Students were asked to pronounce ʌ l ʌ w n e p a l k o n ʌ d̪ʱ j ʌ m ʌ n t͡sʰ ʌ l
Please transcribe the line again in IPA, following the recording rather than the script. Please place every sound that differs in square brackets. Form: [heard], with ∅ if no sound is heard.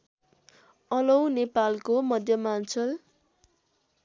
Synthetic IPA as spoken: ʌ l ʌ w n e p a l k o [m] ʌ d̪ʱ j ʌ m [a] n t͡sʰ ʌ l